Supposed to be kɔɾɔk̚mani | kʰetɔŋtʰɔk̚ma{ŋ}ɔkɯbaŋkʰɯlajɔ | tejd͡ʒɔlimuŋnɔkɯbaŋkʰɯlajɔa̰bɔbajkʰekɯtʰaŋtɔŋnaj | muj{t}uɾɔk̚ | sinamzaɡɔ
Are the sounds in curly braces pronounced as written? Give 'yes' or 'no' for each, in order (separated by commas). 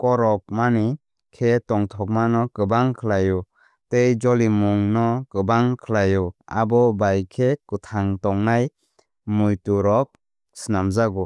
no, yes